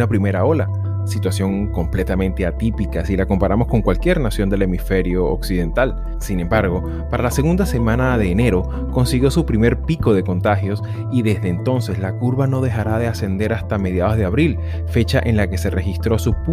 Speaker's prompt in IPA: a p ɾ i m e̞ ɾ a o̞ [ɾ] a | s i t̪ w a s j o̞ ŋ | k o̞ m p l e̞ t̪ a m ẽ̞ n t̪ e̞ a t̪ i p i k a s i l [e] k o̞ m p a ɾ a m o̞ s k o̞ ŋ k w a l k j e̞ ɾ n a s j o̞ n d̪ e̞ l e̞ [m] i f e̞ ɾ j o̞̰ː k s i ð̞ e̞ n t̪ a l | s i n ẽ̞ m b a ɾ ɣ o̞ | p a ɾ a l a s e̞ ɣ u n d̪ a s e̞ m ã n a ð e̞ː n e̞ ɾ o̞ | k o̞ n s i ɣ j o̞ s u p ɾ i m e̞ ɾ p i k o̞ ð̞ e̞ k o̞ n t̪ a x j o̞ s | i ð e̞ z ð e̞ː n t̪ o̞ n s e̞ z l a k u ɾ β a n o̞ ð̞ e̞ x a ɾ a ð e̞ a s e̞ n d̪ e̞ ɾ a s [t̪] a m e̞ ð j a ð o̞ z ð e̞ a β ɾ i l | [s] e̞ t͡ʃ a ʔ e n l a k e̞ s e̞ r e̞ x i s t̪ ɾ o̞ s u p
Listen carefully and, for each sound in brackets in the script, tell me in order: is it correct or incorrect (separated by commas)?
incorrect, incorrect, correct, correct, incorrect